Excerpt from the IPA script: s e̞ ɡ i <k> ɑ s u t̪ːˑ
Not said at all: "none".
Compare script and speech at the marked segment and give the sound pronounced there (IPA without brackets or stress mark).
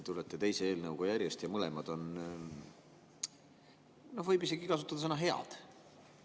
k